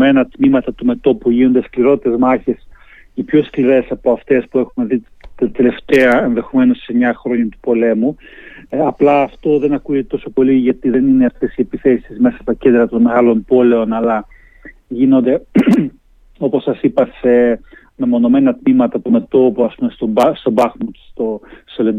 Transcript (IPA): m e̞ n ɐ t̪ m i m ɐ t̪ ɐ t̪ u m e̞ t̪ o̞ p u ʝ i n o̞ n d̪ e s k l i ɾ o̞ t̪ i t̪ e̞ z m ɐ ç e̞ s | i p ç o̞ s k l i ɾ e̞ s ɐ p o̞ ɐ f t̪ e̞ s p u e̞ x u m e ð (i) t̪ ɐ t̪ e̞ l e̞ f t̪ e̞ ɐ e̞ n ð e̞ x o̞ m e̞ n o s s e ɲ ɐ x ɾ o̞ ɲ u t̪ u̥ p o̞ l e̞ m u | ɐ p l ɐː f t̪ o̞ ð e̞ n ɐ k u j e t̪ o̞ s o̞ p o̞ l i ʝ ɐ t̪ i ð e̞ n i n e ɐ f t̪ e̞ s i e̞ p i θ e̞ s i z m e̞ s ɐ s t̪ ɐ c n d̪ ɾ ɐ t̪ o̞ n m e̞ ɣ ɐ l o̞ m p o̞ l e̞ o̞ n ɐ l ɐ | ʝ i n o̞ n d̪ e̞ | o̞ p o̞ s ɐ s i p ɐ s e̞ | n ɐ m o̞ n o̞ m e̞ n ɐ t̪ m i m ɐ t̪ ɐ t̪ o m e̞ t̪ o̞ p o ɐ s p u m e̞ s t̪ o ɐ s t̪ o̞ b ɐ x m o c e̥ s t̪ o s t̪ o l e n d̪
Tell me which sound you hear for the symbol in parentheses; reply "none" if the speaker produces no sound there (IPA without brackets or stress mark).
i